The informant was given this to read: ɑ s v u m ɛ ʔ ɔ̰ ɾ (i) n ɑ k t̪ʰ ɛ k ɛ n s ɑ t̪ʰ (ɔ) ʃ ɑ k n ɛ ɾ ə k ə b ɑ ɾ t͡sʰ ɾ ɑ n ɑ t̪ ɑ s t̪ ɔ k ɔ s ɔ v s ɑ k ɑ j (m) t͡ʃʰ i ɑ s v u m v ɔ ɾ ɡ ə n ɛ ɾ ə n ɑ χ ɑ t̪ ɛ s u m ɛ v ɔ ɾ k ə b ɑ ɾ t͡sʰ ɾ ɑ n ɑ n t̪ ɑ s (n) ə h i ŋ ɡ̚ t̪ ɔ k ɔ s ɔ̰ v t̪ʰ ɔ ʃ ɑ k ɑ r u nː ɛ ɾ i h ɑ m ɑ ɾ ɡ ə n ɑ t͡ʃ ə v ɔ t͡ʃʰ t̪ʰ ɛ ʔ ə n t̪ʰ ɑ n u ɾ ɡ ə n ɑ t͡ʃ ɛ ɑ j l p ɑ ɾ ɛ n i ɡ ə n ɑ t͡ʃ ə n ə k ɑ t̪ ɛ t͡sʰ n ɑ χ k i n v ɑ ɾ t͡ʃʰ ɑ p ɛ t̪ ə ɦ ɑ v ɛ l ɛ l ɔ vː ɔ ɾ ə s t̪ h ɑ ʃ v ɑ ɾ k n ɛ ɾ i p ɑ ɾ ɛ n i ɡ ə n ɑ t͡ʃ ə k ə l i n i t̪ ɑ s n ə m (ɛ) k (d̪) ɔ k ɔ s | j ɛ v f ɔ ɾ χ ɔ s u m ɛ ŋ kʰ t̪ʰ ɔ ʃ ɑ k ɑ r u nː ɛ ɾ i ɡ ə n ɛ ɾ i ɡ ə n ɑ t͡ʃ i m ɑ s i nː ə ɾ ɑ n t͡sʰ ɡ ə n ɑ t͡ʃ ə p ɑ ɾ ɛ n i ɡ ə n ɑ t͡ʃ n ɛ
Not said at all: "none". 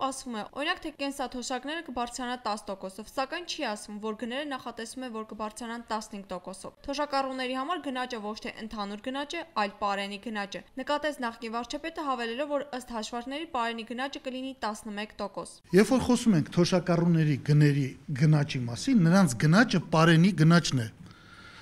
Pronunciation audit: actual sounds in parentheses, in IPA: i, ɔ, n, n, ɛ, t̪

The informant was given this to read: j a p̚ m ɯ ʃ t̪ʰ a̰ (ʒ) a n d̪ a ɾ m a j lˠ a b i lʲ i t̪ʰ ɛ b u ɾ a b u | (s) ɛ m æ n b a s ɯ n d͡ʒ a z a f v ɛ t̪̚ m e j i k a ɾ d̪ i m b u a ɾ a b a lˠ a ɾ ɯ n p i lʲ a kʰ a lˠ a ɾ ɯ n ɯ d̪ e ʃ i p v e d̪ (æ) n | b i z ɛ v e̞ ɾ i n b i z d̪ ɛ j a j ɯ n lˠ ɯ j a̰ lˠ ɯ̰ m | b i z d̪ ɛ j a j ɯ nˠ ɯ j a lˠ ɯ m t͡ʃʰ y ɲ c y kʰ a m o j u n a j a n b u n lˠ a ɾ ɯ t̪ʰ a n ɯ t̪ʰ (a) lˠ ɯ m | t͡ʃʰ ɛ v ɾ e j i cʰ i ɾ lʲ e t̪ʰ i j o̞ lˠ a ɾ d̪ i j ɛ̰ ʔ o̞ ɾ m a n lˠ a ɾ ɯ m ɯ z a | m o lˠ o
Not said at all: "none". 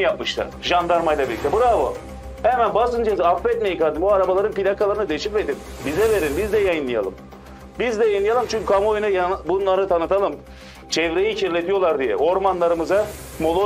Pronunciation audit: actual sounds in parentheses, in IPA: ʒ, h, i, a

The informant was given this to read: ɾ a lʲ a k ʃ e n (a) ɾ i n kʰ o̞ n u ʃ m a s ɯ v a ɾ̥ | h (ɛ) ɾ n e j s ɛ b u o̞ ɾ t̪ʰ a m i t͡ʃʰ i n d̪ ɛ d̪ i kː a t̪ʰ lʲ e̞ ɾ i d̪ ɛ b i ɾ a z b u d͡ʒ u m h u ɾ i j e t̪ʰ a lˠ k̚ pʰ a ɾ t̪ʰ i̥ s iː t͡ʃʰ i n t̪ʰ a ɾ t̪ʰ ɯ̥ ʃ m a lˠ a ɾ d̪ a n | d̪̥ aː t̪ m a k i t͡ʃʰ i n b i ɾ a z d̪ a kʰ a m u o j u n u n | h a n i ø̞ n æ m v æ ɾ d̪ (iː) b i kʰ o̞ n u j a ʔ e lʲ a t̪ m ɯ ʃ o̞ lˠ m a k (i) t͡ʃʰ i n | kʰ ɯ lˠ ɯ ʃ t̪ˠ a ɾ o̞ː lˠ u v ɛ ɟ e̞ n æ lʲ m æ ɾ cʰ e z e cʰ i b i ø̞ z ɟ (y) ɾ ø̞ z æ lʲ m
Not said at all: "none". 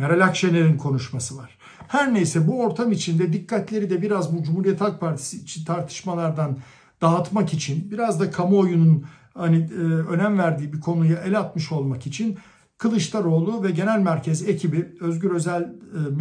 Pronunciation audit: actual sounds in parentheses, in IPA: e, æ, iː, i, y

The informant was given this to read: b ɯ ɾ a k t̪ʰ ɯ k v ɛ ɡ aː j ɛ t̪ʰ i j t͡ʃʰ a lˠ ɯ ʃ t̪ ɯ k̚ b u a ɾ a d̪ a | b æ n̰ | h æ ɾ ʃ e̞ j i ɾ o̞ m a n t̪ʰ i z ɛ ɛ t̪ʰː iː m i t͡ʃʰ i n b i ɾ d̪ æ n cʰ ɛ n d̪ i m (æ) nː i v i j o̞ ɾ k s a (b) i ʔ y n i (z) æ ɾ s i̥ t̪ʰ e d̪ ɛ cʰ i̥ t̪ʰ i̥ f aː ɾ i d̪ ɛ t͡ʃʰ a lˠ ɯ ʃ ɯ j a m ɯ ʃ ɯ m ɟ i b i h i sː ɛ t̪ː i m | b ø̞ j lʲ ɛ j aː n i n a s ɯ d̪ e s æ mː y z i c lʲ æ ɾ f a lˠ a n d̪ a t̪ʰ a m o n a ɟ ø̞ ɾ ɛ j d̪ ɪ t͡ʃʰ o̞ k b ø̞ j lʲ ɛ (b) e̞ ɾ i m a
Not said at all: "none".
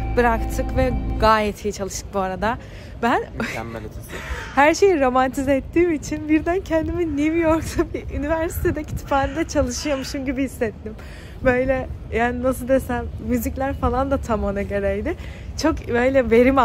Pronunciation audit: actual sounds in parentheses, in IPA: i, b, v, v

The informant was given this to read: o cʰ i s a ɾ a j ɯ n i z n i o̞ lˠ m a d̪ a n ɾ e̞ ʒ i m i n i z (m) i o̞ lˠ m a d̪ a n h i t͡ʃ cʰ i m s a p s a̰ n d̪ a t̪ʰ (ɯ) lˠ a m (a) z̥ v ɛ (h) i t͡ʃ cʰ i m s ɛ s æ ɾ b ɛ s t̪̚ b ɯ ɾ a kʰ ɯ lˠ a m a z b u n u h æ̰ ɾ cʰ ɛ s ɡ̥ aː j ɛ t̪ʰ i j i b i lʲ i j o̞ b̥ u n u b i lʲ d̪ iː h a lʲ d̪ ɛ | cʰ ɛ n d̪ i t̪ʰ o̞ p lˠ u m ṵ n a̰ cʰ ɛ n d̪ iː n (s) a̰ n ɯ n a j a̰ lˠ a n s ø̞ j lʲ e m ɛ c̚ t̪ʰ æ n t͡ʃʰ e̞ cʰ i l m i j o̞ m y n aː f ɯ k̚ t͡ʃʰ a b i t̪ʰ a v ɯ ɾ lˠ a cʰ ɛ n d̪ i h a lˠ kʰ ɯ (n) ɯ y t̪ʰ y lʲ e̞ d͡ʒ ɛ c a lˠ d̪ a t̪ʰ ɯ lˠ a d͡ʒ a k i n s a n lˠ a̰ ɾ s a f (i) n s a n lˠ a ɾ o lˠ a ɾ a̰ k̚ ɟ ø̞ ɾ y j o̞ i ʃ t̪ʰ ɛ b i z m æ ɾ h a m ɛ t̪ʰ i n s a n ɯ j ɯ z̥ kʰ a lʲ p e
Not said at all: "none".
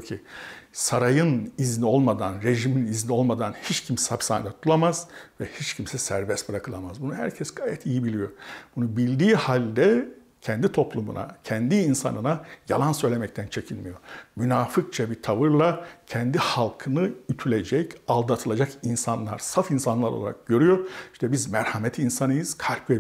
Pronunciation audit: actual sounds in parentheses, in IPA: n, u, a, h, s, n, i

